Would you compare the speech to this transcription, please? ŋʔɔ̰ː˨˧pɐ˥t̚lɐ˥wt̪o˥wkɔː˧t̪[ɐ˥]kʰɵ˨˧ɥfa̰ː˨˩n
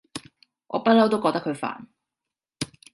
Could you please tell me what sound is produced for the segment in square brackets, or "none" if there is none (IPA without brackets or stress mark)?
ɐ˥